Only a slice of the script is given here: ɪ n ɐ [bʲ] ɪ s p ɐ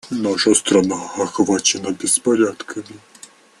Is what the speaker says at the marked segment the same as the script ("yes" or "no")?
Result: yes